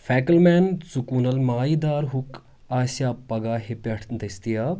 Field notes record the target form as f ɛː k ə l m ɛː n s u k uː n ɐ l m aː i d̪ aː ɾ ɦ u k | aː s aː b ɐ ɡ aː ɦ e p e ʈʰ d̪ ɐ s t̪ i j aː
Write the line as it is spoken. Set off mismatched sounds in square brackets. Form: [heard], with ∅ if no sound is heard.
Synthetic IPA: f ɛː k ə l m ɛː n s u k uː n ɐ l m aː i d̪ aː ɾ ɦ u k | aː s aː [p] ɐ ɡ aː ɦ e p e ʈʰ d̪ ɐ s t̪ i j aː